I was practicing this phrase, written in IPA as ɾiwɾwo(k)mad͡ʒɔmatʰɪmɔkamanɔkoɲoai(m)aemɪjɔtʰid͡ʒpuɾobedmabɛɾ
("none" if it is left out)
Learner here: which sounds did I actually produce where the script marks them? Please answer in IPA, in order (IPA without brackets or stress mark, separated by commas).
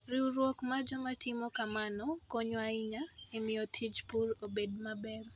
k, ɲ